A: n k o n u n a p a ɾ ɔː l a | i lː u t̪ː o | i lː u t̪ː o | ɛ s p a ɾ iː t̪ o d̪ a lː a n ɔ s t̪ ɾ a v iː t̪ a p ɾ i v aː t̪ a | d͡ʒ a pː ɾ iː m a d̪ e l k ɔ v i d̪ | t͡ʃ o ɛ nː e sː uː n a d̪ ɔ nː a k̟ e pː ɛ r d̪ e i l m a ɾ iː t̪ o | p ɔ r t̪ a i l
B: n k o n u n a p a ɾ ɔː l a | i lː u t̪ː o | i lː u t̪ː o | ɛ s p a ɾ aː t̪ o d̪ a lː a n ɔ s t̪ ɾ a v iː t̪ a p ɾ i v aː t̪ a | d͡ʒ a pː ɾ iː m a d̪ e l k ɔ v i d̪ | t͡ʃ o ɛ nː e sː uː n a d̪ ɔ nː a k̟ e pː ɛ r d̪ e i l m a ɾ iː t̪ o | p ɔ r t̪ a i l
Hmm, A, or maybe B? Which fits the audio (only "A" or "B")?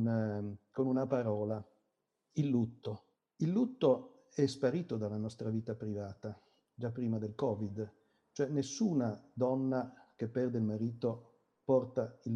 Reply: A